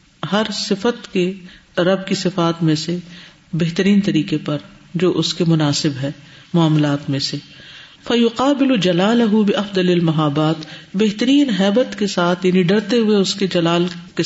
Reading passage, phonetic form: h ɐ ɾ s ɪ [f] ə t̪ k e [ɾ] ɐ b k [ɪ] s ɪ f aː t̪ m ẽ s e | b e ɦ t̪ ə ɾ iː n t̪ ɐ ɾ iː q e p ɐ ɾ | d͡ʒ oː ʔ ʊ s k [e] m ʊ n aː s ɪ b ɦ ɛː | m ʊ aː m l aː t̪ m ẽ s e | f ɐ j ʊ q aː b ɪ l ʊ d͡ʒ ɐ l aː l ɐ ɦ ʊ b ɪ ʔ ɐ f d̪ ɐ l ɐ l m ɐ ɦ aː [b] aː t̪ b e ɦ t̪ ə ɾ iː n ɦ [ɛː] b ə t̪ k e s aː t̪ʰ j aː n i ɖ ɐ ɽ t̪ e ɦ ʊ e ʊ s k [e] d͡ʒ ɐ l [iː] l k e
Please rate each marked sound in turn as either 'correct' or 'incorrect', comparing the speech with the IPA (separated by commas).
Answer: correct, correct, incorrect, correct, correct, correct, correct, incorrect